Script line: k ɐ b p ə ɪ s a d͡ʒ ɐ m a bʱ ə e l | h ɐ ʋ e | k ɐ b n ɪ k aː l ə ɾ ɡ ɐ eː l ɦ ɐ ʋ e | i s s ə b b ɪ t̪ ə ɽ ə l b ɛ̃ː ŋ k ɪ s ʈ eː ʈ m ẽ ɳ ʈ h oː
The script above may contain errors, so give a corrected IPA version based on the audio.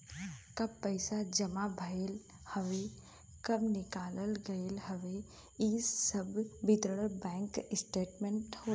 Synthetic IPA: k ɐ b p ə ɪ s a d͡ʒ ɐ m a bʱ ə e l | h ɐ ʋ e | k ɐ b n ɪ k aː l ə l ɡ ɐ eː l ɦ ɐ ʋ e | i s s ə b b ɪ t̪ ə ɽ ə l b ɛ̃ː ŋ k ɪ s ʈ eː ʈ m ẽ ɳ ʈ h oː